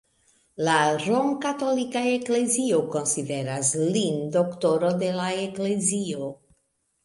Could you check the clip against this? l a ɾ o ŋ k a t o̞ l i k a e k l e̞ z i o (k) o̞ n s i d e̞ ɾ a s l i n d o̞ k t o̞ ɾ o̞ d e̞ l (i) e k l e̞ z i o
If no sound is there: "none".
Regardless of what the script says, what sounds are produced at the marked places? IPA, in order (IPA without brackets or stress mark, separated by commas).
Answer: k, a